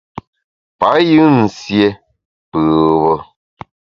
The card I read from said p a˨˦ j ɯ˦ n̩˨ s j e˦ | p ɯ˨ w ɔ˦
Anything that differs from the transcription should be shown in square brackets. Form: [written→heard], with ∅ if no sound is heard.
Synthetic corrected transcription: p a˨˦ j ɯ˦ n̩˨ s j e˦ | p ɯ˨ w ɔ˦